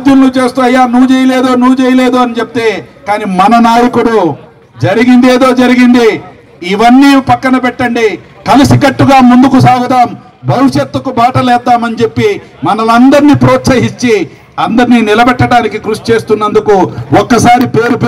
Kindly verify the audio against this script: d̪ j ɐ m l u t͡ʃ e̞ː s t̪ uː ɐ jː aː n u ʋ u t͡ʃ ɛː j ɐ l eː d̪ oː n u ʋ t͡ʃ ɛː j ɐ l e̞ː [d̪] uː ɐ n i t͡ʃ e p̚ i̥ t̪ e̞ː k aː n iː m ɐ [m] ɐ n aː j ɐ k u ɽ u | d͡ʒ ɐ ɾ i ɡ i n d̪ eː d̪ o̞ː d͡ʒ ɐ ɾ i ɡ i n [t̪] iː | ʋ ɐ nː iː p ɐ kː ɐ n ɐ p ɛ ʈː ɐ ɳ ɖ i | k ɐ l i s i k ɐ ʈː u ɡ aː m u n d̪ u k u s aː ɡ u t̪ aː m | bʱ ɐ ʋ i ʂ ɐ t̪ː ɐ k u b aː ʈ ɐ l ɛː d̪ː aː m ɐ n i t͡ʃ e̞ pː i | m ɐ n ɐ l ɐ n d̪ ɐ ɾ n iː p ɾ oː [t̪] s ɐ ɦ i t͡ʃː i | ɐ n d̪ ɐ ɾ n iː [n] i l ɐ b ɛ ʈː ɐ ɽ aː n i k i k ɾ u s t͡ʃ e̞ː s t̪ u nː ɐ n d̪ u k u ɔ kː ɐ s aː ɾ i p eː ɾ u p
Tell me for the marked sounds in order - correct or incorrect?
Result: correct, incorrect: n, incorrect: d̪, correct, correct

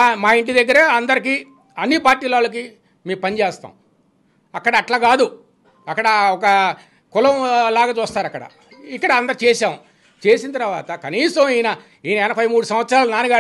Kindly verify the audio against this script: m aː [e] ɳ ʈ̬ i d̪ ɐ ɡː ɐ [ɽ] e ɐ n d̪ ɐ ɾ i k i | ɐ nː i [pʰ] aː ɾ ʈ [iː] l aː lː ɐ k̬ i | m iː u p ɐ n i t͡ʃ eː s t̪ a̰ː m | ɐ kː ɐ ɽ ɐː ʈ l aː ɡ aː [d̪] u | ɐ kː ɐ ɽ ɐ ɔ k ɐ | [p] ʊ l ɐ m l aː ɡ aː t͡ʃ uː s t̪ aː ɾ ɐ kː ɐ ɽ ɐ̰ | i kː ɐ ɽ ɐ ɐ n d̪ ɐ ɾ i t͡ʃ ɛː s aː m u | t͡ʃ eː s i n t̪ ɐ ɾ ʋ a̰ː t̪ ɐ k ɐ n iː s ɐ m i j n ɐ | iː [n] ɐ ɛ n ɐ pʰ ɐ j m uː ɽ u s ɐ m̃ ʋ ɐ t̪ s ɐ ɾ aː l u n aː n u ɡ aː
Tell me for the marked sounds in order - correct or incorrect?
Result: incorrect: i, incorrect: ɾ, incorrect: p, correct, correct, incorrect: k, correct

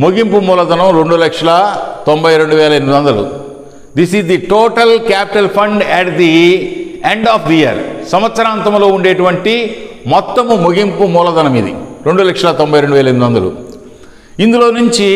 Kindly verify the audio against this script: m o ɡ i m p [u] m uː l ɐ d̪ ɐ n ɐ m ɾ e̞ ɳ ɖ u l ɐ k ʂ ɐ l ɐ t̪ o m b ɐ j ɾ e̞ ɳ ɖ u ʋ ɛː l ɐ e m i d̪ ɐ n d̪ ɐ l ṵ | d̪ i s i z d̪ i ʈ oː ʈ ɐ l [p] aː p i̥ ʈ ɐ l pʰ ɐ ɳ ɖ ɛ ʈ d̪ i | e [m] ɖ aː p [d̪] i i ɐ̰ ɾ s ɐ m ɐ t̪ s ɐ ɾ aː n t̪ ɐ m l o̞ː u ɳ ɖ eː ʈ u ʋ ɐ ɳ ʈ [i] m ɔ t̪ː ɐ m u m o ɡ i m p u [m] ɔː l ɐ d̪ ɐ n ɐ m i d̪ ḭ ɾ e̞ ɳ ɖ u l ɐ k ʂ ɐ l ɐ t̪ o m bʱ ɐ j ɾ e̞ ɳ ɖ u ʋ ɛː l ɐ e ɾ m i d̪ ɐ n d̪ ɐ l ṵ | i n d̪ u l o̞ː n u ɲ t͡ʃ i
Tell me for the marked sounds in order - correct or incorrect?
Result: correct, incorrect: k, incorrect: ɳ, correct, correct, correct

